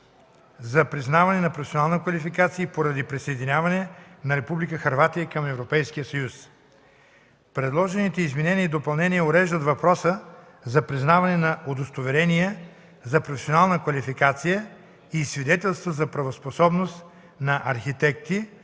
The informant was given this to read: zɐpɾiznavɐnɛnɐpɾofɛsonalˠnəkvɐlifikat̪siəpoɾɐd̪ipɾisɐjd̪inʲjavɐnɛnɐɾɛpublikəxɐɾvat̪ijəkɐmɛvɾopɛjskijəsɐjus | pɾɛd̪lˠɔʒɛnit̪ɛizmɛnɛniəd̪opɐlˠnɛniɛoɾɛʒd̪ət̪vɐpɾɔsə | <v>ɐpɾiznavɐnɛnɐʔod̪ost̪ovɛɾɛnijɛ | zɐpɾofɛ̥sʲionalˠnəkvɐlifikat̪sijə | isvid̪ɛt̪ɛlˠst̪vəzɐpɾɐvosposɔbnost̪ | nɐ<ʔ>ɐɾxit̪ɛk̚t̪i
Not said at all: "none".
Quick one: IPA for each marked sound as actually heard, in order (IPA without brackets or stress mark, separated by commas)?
z, ʔ